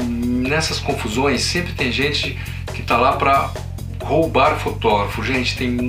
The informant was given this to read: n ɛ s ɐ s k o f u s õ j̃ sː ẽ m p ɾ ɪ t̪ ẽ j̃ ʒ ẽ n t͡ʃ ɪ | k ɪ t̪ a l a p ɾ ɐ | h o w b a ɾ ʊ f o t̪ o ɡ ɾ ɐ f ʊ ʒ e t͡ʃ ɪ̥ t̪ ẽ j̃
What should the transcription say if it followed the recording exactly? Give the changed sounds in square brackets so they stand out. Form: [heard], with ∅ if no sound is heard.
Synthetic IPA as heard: n ɛ s ɐ s k [õ] f u [z] õ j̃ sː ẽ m p ɾ ɪ t̪ ẽ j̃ ʒ ẽ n t͡ʃ ɪ | k ɪ t̪ a l a p ɾ ɐ | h o w b a ɾ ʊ f o t̪ [ɔ] ɡ ɾ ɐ f ʊ ʒ [ẽ] t͡ʃ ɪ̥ t̪ ẽ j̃